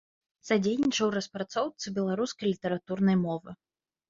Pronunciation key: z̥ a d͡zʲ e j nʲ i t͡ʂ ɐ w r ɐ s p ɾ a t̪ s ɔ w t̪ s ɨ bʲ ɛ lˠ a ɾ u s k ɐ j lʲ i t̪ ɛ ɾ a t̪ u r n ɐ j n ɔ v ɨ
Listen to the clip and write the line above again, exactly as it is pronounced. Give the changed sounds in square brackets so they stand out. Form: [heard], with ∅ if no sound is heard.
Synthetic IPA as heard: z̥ a d͡zʲ e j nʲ i t͡ʂ ɐ w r ɐ s p ɾ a t̪ s ɔ w t̪ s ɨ bʲ ɛ lˠ a ɾ u s k ɐ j lʲ i t̪ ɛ ɾ a t̪ u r n ɐ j [m] ɔ v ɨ